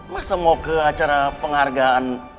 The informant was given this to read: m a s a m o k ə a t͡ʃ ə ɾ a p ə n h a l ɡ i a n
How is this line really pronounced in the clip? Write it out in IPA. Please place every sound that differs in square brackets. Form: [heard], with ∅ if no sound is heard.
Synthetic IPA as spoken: m a s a m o k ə a t͡ʃ [a] ɾ a p ə [ŋ] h a [r] ɡ [a] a n